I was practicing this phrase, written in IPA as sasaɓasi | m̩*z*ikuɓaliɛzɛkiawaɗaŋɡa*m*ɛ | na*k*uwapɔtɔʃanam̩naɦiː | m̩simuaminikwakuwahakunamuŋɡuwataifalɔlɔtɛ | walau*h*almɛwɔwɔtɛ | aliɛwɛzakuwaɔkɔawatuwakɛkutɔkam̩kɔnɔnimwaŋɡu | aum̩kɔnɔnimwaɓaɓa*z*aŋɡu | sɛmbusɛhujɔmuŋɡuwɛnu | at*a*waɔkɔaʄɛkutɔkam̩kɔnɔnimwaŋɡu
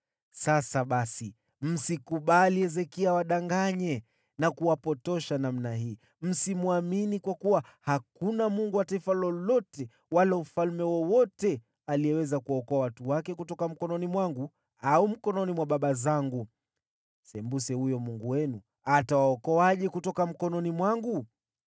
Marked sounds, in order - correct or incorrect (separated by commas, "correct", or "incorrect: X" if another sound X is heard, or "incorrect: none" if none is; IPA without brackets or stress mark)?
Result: incorrect: s, incorrect: ɲ, correct, incorrect: f, correct, correct